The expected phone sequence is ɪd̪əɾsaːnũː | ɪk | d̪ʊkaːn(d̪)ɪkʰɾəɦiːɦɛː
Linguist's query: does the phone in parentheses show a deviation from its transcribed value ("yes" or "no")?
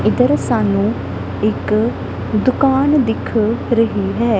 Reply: no